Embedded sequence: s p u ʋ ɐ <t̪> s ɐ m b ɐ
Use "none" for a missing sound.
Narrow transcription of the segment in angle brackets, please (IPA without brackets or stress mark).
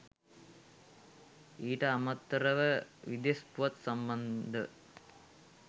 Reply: t̪